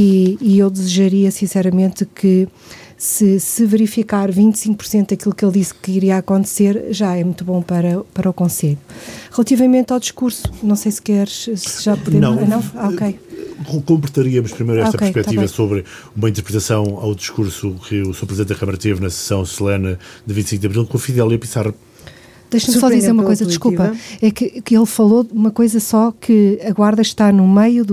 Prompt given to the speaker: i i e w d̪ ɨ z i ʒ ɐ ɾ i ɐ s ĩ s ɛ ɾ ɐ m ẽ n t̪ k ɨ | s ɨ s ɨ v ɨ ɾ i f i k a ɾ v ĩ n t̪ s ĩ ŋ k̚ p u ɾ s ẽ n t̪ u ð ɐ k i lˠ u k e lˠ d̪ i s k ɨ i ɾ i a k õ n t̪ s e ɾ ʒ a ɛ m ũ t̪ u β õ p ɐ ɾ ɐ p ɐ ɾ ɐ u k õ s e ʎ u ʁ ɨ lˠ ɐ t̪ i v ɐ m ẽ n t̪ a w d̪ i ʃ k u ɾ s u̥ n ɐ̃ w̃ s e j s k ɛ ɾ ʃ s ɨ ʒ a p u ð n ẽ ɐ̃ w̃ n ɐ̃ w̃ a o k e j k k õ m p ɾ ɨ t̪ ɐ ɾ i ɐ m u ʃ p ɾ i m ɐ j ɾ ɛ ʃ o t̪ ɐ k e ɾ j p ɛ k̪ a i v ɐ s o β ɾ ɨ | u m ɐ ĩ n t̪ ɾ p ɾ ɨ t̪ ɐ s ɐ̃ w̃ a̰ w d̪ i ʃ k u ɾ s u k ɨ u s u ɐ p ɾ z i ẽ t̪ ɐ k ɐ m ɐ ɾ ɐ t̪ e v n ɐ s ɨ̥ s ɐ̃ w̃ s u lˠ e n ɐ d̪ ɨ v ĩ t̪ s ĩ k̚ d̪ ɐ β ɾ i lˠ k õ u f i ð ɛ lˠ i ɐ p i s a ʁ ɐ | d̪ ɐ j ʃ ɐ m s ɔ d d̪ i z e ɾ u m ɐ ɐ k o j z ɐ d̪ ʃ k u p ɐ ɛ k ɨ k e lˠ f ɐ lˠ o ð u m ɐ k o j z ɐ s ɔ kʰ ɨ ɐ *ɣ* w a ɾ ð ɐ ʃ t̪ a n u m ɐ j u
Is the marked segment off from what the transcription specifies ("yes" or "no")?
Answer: no